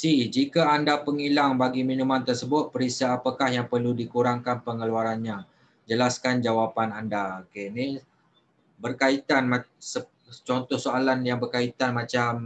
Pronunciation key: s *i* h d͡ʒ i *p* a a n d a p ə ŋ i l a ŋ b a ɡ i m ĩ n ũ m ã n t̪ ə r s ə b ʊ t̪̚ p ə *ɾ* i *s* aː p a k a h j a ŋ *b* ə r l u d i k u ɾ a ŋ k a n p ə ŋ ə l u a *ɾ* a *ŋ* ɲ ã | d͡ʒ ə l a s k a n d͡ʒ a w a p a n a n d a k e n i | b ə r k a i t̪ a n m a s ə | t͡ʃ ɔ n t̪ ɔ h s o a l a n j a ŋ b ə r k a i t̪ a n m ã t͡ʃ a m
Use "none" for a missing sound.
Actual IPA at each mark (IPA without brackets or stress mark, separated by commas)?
i, k, ɾ, s, p, ɾ, n